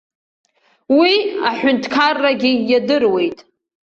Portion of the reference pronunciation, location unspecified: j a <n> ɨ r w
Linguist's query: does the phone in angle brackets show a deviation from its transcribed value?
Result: yes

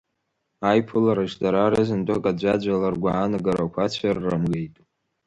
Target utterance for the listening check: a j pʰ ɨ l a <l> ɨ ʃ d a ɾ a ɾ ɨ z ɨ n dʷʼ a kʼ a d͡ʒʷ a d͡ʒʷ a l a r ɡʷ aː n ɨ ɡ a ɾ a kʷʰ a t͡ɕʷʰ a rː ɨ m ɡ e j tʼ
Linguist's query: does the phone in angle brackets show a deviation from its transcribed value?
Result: yes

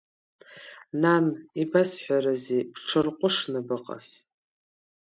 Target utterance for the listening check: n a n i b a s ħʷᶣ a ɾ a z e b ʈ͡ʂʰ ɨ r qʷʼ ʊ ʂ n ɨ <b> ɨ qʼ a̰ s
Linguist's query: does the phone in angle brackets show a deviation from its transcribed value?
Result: no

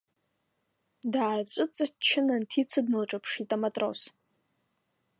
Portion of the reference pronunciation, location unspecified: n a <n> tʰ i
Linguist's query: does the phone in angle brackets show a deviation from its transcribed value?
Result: no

